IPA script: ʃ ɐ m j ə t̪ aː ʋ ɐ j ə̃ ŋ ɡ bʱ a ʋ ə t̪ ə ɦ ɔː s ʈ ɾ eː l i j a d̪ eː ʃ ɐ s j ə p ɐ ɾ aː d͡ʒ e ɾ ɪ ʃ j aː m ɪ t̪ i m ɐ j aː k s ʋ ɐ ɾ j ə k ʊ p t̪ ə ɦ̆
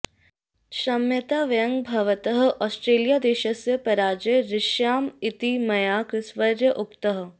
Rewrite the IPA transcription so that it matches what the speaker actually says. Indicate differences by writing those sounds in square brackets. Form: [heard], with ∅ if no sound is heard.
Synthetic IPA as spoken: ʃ ɐ m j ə t̪ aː ʋ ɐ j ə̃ ŋ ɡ bʱ [ɐ] ʋ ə t̪ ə ɦ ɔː s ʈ ɾ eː l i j a d̪ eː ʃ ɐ s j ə p ɐ ɾ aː d͡ʒ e ɾ ɪ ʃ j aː m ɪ t̪ i m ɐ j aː k s ʋ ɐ ɾ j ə [ʔ] ʊ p t̪ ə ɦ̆